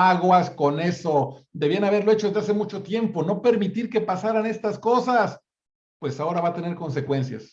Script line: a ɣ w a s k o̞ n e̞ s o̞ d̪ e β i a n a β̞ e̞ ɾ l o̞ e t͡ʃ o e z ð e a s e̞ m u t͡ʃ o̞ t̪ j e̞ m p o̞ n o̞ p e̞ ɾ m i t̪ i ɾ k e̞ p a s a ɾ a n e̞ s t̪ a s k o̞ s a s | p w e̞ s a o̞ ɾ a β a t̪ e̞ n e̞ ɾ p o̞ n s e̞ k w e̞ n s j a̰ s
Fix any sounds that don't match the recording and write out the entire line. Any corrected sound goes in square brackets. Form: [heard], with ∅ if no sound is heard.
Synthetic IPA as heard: a ɣ w a s k o̞ n e̞ s o̞ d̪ e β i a n a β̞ e̞ ɾ l o̞ e t͡ʃ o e z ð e a s e̞ m u t͡ʃ o̞ t̪ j e̞ m p o̞ n o̞ p e̞ ɾ m i t̪ i ɾ k e̞ p a s a ɾ a n e̞ s t̪ a s k o̞ s a s | p w e̞ s a o̞ ɾ a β a t̪ e̞ n e̞ ɾ [k] o̞ n s e̞ k w e̞ n s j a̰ s